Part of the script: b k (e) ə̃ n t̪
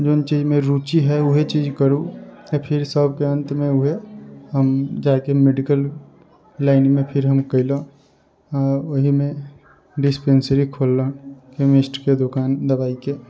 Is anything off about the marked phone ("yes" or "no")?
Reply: no